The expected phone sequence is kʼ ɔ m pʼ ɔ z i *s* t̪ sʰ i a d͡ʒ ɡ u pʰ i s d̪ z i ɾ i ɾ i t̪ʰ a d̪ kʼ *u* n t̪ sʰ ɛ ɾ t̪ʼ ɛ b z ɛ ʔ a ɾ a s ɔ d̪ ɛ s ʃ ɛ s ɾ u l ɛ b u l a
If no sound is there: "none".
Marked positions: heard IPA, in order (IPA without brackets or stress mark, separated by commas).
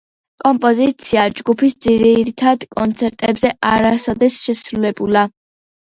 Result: none, ɔ